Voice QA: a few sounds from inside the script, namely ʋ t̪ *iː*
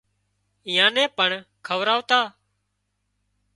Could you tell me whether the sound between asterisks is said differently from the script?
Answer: yes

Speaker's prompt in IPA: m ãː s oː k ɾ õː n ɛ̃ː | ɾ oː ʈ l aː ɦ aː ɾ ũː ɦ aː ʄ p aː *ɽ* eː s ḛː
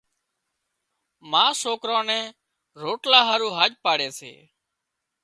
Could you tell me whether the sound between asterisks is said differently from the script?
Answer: no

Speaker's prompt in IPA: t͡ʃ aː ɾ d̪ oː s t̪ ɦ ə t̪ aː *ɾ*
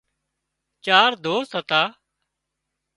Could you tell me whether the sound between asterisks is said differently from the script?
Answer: yes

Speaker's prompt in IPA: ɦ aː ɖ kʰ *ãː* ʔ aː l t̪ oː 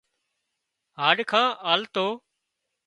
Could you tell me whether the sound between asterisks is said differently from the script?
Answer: no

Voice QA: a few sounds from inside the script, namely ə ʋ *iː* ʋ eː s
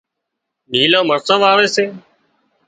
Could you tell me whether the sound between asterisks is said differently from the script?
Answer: yes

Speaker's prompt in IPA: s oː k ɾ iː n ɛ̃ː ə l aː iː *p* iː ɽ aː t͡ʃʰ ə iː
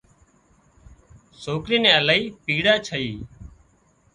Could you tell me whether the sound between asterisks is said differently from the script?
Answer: no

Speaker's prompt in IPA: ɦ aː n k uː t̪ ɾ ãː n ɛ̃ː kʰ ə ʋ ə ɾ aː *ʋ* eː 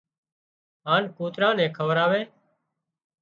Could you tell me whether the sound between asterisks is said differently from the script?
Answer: no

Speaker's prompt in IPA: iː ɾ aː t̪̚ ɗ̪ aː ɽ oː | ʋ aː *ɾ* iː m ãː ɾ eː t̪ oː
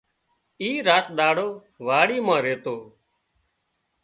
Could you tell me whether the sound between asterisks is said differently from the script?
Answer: yes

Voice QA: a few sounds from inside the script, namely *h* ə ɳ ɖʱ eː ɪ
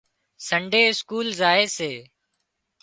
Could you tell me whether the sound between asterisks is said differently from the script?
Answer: yes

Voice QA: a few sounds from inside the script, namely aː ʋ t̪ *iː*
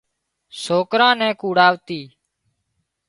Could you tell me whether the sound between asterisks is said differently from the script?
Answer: no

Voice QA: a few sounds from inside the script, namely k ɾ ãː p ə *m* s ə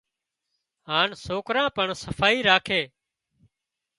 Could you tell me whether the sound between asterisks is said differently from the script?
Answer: yes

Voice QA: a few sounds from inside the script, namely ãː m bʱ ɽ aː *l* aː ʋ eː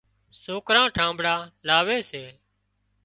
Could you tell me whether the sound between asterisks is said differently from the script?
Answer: no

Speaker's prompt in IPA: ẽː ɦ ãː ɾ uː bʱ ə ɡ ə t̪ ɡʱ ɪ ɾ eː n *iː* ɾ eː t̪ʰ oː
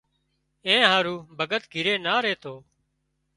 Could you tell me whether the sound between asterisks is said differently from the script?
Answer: yes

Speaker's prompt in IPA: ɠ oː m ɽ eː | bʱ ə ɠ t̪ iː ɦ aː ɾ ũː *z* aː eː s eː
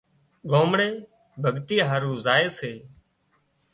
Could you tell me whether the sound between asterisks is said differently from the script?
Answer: no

